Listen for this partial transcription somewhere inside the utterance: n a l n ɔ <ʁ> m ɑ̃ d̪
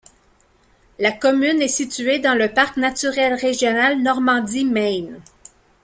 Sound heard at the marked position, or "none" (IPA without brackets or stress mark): ʁ